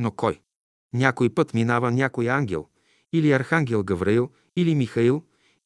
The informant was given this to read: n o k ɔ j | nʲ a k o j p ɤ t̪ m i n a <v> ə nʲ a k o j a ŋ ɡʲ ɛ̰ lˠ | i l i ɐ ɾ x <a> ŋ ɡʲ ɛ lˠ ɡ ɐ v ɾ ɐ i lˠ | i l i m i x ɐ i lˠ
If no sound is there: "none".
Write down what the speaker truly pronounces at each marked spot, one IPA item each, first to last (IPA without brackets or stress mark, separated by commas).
v, a